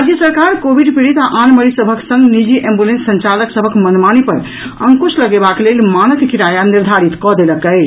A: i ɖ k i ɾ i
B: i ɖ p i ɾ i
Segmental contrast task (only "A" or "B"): B